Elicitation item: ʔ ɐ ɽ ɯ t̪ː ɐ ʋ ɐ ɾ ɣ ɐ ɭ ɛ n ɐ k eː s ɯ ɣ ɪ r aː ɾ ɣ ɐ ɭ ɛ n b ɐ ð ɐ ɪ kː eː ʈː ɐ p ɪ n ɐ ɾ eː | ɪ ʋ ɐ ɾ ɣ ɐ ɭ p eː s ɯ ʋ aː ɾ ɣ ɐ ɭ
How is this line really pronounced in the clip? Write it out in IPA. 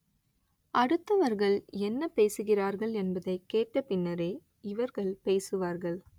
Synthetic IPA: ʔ ɐ ɽ ɯ t̪ː ɐ ʋ ɐ ɾ ɣ ɐ ɭ ɛ nː ɐ p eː s ɯ ɣ ɪ r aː ɾ ɣ ɐ ɭ ɛ n b ɐ ð ɐ ɪ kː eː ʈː ɐ p ɪ nː ɐ ɾ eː | ɪ ʋ ɐ ɾ ɣ ɐ ɭ p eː s ɯ ʋ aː ɾ ɣ ɐ ɭ